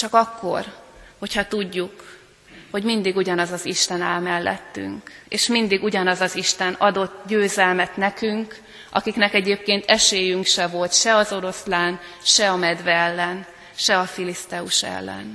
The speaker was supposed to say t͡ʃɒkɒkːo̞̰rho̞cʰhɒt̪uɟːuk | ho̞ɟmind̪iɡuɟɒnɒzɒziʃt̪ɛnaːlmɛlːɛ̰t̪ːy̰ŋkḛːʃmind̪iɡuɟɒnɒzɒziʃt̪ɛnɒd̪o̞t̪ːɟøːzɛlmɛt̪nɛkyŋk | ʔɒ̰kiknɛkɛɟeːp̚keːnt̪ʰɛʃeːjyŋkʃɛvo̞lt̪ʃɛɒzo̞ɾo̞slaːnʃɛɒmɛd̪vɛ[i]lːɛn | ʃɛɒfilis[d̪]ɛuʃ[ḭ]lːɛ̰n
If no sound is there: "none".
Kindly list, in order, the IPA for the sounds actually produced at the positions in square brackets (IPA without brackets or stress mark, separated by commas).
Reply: ɛ, t̪, ɛ̰